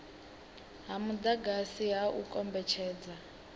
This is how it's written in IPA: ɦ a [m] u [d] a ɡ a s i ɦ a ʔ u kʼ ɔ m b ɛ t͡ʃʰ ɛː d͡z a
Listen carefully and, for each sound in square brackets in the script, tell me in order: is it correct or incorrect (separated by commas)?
correct, correct